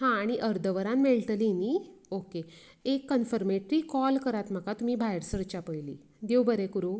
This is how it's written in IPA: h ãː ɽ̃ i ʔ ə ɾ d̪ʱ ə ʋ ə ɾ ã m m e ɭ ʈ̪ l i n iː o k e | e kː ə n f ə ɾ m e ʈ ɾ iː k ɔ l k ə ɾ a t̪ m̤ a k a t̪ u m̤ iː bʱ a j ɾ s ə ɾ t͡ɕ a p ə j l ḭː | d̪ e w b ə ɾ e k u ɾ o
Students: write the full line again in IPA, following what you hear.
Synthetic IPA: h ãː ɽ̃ i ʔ ə ɾ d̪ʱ ə ʋ ə ɾ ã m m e ɭ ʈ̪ l i n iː o k e | e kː ə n f ə ɾ m e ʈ ɾ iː k ɔ l k ə ɾ a t̪ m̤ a k a t̪ u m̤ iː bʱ a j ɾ s ə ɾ t͡ɕ a p ə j l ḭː | d̪ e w b ə ɾ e k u ɾ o